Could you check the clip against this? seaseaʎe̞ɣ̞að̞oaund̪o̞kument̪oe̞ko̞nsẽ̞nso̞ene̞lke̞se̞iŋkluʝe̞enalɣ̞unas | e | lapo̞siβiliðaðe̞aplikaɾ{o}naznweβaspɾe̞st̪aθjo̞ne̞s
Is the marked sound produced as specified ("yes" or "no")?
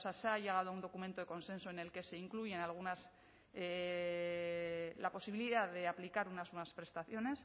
no